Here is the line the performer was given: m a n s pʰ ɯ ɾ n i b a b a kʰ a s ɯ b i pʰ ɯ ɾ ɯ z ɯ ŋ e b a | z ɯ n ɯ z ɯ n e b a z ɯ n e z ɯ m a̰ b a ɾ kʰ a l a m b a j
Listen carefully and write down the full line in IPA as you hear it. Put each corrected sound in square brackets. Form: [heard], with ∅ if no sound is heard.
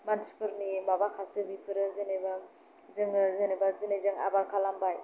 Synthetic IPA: m a n s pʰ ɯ ɾ n i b a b a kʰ a s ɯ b i pʰ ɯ ɾ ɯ z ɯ [n] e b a | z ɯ [ŋ] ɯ z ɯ n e b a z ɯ n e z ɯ [ŋ] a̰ b a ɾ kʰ a l a m b a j